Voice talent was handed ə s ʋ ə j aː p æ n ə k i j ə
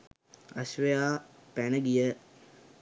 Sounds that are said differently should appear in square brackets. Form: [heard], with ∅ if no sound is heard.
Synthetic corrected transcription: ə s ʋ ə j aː p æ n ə [ɡ] i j ə